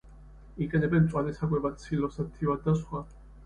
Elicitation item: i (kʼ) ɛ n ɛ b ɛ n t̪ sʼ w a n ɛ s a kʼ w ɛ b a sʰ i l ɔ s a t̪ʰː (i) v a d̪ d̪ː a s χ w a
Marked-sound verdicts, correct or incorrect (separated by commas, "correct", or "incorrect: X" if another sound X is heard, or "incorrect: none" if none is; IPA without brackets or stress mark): correct, correct